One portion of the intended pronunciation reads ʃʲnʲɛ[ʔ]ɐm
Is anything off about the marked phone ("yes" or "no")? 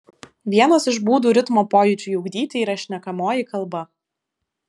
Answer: yes